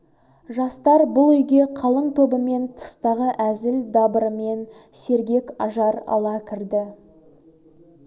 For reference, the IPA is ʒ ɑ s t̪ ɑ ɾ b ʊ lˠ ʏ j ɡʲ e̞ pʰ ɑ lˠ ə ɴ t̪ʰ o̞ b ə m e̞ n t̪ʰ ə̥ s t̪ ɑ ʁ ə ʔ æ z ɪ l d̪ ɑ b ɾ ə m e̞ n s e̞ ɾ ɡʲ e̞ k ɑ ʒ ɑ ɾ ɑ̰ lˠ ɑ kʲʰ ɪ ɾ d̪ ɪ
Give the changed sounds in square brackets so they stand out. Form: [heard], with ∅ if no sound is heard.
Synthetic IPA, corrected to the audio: ʒ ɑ s t̪ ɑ ɾ b ʊ lˠ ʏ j ɡʲ e̞ [qʰ] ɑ lˠ ə ɴ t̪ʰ o̞ b ə m e̞ n t̪ʰ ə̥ s t̪ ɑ ʁ ə ʔ æ z ɪ l d̪ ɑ b ɾ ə m e̞ n s e̞ ɾ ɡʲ e̞ k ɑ ʒ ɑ ɾ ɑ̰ lˠ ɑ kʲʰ ɪ ɾ d̪ ɪ

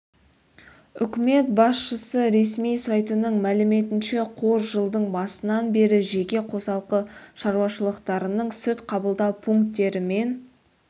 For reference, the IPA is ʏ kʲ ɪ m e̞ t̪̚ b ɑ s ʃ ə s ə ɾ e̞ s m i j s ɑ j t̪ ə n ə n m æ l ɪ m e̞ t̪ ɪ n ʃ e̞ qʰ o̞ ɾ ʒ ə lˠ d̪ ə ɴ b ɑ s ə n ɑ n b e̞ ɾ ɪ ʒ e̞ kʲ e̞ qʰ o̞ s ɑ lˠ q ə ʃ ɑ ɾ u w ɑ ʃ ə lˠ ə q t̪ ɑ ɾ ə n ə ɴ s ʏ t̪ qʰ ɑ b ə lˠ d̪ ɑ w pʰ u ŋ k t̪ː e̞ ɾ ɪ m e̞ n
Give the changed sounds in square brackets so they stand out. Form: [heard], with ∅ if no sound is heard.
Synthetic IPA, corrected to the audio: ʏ kʲ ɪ m e̞ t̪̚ b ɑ s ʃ ə s ə ɾ e̞ s m i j s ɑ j t̪ ə n ə [ɴ] m æ l ɪ m e̞ t̪ ɪ n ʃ e̞ qʰ o̞ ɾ ʒ ə lˠ d̪ ə ɴ b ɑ s ə n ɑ n b e̞ ɾ ɪ ʒ e̞ kʲ e̞ qʰ o̞ s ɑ lˠ q ə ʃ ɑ ɾ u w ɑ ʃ ə lˠ ə q t̪ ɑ ɾ ə n ə ɴ s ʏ t̪ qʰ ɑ b ə lˠ d̪ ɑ w pʰ u ŋ k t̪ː e̞ ɾ ɪ m e̞ n

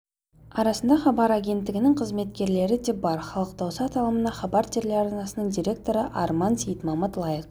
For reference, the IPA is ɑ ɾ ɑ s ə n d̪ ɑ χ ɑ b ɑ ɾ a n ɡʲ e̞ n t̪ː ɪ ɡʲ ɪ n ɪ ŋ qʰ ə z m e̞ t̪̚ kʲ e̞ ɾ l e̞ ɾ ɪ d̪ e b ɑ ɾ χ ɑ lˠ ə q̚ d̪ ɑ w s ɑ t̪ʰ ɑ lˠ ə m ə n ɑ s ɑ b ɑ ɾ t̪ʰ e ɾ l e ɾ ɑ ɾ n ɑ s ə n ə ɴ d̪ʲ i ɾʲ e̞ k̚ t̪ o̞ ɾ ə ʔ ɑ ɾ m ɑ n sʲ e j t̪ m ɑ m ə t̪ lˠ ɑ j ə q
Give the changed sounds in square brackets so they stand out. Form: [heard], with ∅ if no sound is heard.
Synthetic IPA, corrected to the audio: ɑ ɾ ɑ s ə n d̪ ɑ χ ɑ b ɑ ɾ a [∅] ɡʲ e̞ n t̪ː ɪ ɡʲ ɪ n ɪ ŋ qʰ ə z m e̞ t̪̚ kʲ e̞ ɾ l e̞ ɾ ɪ d̪ e b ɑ ɾ χ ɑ lˠ ə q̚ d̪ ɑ w s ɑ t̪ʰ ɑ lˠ ə m ə n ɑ [χ] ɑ b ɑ ɾ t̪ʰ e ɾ l e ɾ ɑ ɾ n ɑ s ə n ə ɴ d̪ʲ i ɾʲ e̞ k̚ t̪ o̞ ɾ ə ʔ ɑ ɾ m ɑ n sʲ e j t̪ m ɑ m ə t̪ lˠ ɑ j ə q

